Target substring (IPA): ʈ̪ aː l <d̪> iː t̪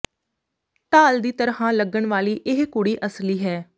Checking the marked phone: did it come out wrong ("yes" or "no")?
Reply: no